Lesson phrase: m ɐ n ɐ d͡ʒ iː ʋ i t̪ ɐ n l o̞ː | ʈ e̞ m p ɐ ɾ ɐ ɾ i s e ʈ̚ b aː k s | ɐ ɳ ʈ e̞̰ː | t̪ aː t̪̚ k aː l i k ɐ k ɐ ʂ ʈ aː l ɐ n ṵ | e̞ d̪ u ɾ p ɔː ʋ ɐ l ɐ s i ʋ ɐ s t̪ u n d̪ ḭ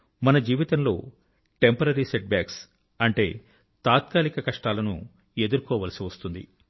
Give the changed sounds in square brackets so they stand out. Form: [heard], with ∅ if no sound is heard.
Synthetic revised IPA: m ɐ n ɐ d͡ʒ iː ʋ i t̪ ɐ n l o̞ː | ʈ e̞ m p ɐ ɾ ɐ ɾ i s e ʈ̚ b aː k s | ɐ ɳ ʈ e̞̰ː | t̪ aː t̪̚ k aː l i k ɐ k ɐ ʂ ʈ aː l ɐ n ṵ | e̞ d̪ u ɾ [k] ɔː ʋ ɐ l ɐ s i ʋ ɐ s t̪ u n d̪ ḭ